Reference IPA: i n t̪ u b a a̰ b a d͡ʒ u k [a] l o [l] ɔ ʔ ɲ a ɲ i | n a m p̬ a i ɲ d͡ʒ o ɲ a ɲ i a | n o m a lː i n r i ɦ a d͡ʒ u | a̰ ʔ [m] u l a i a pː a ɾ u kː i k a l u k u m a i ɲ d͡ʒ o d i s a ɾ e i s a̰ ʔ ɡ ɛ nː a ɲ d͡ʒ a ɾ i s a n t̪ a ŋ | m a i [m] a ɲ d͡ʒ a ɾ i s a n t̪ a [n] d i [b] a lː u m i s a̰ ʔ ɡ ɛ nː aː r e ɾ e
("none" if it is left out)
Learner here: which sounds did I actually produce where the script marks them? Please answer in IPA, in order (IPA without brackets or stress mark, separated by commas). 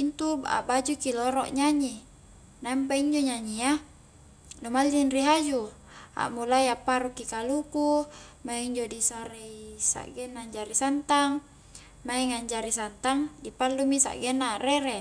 i, ɾ, m, ŋ, ŋ, p